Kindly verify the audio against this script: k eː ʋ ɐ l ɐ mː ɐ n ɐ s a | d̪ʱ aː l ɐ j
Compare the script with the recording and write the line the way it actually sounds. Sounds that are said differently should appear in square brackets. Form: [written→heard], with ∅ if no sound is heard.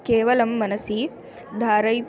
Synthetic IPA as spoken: k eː ʋ ɐ l ɐ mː ɐ n ɐ s [a→i] | d̪ʱ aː [l→ɾ] ɐ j